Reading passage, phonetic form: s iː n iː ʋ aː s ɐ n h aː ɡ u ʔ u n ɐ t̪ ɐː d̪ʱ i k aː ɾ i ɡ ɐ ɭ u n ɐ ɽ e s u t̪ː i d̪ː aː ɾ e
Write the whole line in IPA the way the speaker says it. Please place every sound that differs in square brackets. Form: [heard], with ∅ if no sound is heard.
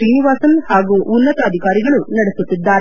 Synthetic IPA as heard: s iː n [i] ʋ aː s ɐ n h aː ɡ u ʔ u [nː] ɐ t̪ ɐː d̪ʱ i k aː ɾ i ɡ ɐ ɭ u n ɐ ɽ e s u t̪ː i d̪ː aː ɾ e